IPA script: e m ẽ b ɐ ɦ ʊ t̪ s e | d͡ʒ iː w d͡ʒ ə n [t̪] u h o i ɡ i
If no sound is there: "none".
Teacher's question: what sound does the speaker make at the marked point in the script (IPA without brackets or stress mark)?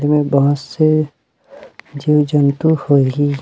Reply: t̪